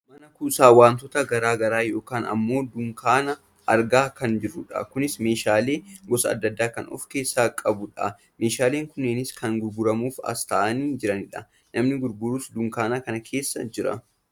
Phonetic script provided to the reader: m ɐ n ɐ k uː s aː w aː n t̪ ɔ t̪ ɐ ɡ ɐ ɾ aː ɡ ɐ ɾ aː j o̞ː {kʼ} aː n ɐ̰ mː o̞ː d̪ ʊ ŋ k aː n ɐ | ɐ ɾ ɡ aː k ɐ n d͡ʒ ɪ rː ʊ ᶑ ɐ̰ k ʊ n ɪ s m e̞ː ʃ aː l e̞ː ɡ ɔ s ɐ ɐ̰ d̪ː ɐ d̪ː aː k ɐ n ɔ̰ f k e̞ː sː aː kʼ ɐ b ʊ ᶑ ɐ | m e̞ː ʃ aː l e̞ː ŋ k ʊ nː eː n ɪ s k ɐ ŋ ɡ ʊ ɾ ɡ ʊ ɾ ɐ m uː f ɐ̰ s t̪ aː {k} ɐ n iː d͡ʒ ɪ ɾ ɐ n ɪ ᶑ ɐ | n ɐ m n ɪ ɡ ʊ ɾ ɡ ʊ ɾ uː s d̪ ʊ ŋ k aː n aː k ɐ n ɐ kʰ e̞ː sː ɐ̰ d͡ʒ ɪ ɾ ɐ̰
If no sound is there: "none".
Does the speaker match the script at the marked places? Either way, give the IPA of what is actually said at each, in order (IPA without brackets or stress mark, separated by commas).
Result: k, ʔ